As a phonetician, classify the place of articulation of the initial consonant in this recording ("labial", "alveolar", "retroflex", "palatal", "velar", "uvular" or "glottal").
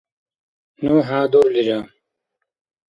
alveolar